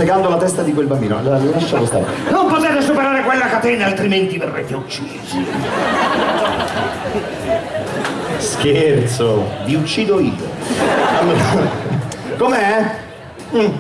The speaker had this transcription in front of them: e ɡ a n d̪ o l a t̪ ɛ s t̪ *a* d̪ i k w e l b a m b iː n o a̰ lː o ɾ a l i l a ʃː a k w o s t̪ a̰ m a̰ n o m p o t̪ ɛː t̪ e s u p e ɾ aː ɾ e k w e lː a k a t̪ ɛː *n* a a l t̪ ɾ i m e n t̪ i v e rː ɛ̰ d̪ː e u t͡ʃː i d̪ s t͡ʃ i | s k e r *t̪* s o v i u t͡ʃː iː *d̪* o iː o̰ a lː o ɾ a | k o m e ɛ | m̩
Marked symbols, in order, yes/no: yes, yes, yes, yes

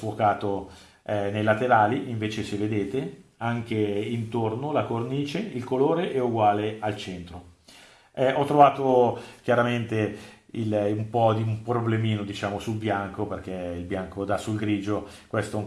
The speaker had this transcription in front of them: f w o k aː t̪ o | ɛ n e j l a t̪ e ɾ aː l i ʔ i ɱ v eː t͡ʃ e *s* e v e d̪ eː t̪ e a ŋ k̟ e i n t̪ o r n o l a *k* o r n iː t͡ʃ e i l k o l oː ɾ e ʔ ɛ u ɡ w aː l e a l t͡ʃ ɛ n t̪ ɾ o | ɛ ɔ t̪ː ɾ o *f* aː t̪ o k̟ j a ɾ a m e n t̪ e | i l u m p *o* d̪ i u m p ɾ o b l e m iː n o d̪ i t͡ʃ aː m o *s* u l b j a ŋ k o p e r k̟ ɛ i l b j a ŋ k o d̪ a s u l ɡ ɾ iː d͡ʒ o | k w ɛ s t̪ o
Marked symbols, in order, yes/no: yes, yes, no, no, yes

